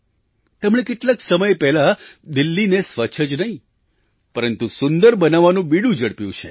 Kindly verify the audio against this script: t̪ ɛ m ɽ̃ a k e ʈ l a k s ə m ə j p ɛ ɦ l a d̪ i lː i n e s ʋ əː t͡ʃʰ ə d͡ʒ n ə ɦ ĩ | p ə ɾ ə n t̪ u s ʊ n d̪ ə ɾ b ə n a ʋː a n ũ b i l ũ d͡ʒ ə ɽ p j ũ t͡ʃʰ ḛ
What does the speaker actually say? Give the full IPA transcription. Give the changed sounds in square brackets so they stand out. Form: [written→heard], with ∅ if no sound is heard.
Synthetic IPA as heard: t̪ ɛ m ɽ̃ [a→e] k e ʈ l a k s ə m ə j p ɛ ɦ l a d̪ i lː i n e s ʋ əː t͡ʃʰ ə d͡ʒ n ə ɦ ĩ | p ə ɾ ə n t̪ u s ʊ n d̪ ə ɾ b ə n a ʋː a n ũ b i [l→ɽ] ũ d͡ʒ ə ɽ p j ũ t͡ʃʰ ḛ